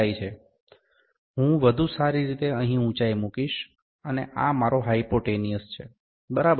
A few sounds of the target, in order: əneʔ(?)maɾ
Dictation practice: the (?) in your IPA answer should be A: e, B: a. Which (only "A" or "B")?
B